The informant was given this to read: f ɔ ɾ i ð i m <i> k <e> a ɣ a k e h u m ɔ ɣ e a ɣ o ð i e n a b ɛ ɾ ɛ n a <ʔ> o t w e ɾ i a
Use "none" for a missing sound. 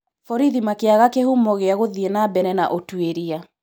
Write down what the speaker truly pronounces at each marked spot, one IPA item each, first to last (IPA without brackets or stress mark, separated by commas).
a, e, ʔ